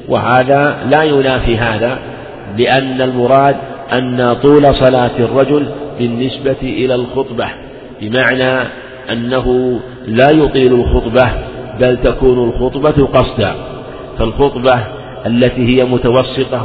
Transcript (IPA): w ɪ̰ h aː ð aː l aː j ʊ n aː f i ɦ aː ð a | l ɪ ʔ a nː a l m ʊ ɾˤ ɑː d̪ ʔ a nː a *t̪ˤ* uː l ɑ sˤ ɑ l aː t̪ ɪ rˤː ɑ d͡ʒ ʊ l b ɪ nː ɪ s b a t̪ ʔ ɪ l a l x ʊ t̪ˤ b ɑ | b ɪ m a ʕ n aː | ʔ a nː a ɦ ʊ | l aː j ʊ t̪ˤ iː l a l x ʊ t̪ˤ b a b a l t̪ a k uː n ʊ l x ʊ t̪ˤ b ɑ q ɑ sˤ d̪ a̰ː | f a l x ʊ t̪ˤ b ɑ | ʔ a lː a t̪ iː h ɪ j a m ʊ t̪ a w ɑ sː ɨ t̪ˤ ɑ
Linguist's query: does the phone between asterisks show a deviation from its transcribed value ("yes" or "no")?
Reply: no